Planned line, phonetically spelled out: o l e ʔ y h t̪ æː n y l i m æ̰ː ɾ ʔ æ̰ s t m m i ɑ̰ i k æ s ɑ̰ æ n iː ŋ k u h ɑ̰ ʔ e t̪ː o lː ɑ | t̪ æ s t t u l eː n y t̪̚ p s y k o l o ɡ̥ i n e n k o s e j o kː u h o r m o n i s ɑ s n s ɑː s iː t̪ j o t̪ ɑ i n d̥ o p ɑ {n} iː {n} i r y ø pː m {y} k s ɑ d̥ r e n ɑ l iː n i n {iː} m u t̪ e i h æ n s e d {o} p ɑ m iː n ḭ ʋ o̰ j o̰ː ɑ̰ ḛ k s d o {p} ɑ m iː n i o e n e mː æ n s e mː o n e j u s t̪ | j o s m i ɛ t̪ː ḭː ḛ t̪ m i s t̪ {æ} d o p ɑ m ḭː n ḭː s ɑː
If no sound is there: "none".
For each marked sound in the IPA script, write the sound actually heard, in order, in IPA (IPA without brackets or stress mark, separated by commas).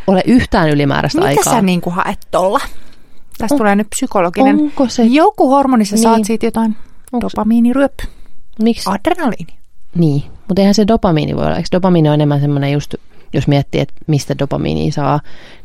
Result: m, n, i, iː, o, p, æ